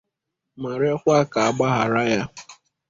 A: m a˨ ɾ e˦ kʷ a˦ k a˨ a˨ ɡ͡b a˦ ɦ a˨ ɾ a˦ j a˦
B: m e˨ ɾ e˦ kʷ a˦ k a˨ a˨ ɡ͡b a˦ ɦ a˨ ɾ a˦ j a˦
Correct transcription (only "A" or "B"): A